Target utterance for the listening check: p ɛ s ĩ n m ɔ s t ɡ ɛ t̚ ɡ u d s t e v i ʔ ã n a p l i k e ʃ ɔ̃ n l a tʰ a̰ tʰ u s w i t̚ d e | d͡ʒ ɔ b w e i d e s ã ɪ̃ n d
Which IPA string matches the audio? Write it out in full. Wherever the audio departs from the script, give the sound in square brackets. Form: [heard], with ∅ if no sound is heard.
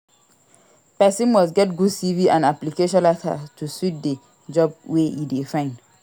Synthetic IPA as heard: p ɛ s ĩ n m ɔ s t ɡ ɛ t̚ ɡ u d s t [i] v i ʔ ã n a p l i k e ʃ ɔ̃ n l a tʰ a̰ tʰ u s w i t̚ d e | d͡ʒ ɔ b w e i d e [f] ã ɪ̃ n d